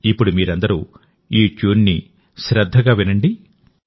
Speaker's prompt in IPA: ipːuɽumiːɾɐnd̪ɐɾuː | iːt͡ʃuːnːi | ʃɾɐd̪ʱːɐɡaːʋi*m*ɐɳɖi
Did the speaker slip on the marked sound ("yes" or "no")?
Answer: yes